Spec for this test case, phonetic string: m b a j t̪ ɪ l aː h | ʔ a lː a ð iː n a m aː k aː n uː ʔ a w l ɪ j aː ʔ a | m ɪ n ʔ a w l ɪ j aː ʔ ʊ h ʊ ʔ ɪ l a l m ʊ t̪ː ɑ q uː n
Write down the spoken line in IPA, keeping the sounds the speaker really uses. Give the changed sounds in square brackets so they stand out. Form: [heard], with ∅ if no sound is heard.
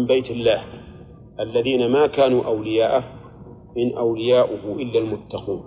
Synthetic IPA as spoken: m b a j t̪ ɪ [lː] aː h | ʔ a lː a ð iː n a m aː k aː n uː ʔ a w l ɪ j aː ʔ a | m ɪ n ʔ a w l ɪ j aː ʔ ʊ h ʊ ʔ ɪ [lː] a l m ʊ t̪ː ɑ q uː n